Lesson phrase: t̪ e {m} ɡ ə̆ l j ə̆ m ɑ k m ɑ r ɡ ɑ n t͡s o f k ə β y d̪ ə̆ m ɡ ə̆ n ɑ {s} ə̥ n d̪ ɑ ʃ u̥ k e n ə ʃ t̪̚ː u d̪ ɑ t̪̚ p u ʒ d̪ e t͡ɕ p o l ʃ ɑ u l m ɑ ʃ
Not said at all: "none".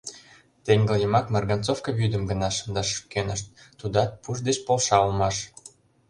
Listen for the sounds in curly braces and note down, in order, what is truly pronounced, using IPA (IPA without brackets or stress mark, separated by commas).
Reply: ŋ, ʃ